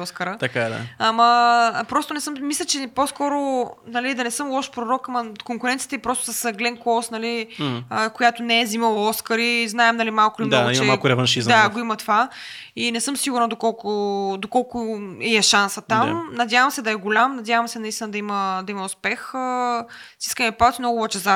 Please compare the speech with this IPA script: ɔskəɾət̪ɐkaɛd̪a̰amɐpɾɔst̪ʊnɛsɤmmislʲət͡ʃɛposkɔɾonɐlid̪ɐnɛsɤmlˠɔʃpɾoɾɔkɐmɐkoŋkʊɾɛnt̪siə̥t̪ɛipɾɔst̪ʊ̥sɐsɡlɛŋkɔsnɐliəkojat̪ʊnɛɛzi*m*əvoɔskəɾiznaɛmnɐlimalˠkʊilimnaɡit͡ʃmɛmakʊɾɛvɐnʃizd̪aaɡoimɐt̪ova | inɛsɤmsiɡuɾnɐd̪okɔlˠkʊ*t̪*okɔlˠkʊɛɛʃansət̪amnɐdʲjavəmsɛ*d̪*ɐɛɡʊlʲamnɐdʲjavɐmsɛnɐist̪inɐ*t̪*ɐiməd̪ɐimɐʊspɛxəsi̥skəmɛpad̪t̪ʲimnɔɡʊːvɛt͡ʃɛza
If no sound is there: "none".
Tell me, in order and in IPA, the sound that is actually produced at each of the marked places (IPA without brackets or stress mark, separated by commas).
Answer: m, d̪, d̪, d̪